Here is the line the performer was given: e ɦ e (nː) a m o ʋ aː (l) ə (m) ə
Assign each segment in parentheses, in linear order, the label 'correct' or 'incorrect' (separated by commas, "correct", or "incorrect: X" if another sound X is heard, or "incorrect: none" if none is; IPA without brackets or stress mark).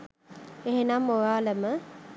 incorrect: n, correct, correct